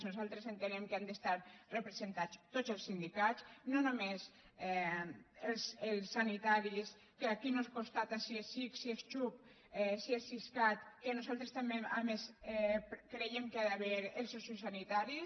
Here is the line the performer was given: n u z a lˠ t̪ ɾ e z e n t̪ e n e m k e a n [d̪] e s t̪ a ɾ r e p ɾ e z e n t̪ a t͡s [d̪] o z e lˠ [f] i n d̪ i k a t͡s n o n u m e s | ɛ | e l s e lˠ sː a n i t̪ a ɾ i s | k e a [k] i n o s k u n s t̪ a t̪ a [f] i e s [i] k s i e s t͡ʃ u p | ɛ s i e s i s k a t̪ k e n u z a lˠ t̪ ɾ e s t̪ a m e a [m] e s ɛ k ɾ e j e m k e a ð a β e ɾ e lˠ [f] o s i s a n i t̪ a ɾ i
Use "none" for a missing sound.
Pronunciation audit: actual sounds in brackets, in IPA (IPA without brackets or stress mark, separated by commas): d̪, t̪, s, k, s, i, m, s